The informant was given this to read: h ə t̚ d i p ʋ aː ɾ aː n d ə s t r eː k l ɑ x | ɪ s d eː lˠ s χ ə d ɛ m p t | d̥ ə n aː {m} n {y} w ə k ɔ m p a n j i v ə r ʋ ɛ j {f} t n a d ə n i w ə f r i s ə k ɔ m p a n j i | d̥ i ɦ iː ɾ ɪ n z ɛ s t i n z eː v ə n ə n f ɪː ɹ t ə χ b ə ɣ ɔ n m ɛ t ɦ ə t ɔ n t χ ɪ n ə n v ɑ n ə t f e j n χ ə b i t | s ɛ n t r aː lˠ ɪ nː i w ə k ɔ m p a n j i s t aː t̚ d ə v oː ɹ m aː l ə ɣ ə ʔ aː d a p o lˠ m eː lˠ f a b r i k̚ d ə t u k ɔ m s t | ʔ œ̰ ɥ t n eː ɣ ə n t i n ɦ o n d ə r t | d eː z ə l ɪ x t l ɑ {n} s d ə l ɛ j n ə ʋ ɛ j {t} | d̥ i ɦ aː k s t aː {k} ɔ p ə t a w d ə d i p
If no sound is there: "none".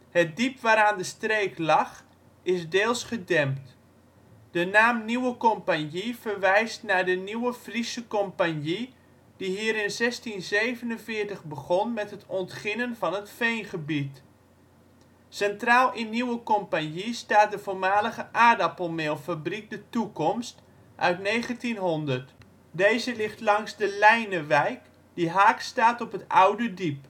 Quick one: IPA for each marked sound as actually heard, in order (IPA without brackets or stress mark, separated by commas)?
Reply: m, i, s, ŋ, k, t